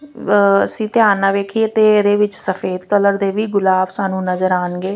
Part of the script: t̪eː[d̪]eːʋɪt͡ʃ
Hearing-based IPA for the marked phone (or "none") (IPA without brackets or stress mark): d̪